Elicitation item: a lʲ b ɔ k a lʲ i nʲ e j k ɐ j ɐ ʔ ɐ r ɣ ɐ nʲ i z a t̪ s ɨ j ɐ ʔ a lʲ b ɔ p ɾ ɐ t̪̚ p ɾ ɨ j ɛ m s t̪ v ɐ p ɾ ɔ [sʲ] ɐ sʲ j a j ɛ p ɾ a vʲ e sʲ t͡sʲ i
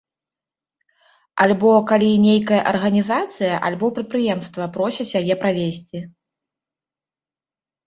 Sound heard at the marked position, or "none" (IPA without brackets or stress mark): sʲ